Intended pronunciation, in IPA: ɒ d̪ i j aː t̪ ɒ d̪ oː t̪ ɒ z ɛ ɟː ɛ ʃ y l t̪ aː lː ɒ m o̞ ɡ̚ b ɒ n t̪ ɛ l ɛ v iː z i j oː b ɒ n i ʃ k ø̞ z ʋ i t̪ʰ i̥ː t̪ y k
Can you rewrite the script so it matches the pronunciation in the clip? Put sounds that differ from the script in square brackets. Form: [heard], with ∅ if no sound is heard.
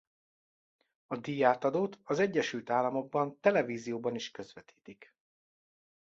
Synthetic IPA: ɒ d̪ i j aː t̪ ɒ d̪ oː t̪ ɒ z ɛ ɟː ɛ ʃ y l t̪ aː lː ɒ m o̞ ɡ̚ b ɒ n t̪ ɛ l ɛ v iː z i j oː b ɒ n i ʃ k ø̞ z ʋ [ɛ] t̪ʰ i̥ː t̪ [i] k